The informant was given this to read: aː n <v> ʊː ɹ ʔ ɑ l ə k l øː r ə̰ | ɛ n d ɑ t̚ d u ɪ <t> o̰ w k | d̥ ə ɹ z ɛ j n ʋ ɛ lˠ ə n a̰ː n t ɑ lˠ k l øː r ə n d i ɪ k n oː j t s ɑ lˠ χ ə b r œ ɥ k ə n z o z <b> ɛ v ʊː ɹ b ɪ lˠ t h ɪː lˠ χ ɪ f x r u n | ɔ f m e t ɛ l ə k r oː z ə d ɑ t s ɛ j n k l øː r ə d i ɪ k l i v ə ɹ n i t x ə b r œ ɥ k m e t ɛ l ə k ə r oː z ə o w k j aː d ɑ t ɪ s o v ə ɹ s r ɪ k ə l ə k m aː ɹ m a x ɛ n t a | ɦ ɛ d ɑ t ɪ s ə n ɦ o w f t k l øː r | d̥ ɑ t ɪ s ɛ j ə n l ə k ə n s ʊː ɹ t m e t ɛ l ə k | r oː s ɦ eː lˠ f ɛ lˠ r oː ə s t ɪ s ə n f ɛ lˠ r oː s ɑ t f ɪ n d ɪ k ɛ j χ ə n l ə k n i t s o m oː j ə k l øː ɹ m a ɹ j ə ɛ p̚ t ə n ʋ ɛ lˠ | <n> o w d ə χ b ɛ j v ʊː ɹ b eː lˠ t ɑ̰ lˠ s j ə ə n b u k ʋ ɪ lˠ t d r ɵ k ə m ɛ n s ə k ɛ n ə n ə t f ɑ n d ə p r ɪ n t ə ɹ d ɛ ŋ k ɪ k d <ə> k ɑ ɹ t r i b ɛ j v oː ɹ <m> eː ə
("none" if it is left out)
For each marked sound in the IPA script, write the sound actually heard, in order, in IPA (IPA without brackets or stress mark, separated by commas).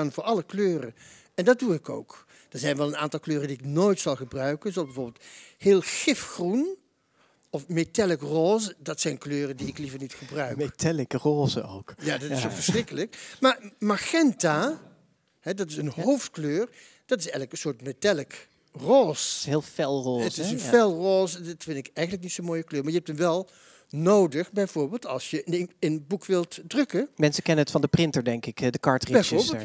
v, k, b, n, ə, b